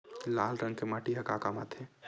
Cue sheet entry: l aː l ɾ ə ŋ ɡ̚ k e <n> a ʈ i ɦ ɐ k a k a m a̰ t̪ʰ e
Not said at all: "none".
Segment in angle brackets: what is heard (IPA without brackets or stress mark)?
m